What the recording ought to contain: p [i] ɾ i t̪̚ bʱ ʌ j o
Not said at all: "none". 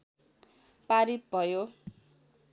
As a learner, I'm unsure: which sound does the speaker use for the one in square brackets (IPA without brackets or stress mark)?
a